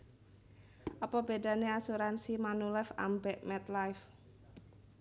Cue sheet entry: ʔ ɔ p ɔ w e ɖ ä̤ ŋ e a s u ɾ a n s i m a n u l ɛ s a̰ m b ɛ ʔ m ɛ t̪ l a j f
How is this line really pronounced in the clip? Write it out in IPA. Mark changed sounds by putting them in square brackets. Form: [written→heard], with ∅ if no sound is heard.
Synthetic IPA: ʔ ɔ p ɔ [w→b] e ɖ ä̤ [ŋ→n] e a s u ɾ a n s i m a n u l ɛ [s→f] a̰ m b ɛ ʔ m ɛ t̪ l a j f